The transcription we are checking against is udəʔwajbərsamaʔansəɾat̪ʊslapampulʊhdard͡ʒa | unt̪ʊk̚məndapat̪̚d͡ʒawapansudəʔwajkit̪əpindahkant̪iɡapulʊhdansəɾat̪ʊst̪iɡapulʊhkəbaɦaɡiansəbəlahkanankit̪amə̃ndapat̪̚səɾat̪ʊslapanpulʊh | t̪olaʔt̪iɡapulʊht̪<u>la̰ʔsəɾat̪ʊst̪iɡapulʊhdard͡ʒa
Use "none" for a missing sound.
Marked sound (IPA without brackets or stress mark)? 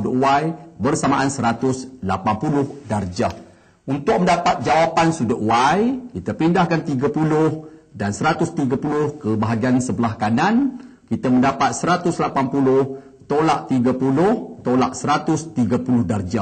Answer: o